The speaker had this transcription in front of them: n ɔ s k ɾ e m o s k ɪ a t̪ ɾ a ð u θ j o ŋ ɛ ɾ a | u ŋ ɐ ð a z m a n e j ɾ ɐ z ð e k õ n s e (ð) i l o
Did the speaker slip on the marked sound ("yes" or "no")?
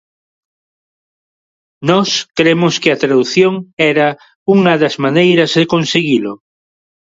yes